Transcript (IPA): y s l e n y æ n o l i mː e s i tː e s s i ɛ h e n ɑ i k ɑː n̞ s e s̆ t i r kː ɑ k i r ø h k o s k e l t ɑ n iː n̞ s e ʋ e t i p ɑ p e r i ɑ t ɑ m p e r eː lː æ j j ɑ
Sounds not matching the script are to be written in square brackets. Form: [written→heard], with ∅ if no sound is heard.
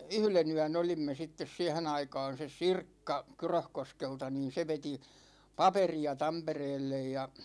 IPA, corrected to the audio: y [s→h] l e n y æ n o l i mː e s i tː e s s i ɛ h e n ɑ i k ɑː n̞ s e s̆ [t→s] i r kː ɑ k [i→y] r ø h k o s k e l t ɑ n iː n̞ s e ʋ e t i p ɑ p e r i ɑ t ɑ m p e r eː lː [æ→e] j j ɑ